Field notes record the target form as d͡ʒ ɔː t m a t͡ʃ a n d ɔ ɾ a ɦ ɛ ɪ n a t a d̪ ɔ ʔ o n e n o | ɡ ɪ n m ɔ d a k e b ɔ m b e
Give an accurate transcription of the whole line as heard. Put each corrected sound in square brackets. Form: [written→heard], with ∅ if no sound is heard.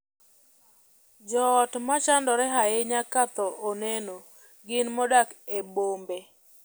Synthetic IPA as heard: d͡ʒ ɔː t m a t͡ʃ a n d ɔ ɾ [a→ɛ] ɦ [ɛ→a] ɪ [n→ɲ] a [t→k] a [d̪→t̪] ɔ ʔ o n e n o | ɡ ɪ n m ɔ d a k e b [ɔ→o] m b e